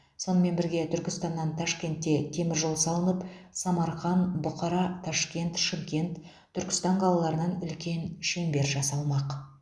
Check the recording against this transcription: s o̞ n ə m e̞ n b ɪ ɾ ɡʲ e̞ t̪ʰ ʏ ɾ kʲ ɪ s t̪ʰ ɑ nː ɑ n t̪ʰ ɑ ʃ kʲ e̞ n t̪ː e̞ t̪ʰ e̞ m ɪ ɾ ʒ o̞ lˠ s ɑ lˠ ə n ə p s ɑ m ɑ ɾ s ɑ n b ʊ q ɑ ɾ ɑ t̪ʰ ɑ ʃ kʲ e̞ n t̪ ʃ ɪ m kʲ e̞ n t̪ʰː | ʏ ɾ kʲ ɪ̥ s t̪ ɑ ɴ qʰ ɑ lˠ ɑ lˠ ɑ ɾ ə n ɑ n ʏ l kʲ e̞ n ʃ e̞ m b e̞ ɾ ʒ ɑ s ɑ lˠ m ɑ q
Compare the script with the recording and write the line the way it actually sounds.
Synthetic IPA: s o̞ n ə m e̞ n b ɪ ɾ ɡʲ e̞ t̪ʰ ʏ ɾ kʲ ɪ s t̪ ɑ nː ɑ n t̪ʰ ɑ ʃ kʲ e̞ n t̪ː e̞ t̪ʰ e̞ m ɪ ɾ ʒ o̞ lˠ s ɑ lˠ ə n ə p s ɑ m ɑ ɾ χ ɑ n b ʊ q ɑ ɾ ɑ t̪ʰ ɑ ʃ kʲ e̞ n t̪ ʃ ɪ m kʲ e̞ n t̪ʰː | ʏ ɾ kʲ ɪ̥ s t̪ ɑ ɴ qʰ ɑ lˠ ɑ lˠ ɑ ɾ ə n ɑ n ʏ l kʲ e̞ n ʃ e̞ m b e̞ ɾ ʒ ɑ s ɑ lˠ m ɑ q